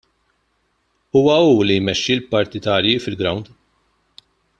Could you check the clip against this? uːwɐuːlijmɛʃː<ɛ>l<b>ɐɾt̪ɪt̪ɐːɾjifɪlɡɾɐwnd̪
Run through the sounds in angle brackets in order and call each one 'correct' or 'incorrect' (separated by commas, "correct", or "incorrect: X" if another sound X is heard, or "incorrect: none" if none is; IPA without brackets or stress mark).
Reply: incorrect: i, incorrect: p